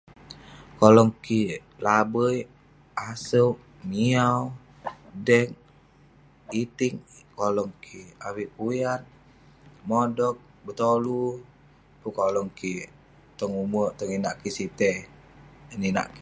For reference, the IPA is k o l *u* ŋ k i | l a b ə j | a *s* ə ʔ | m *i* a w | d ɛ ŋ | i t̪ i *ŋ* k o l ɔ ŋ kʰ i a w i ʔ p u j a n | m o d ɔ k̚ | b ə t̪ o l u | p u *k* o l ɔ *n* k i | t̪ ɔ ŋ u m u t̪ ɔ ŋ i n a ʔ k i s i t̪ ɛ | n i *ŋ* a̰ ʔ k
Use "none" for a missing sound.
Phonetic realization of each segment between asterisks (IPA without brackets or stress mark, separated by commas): ɔ, s, i, ŋ, k, ŋ, n